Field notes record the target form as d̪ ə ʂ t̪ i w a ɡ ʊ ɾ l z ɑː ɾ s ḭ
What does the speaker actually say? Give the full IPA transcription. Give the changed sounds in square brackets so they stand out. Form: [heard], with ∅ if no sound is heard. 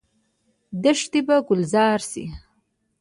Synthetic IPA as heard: d̪ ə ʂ t̪ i [b] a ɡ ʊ [∅] l z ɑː ɾ s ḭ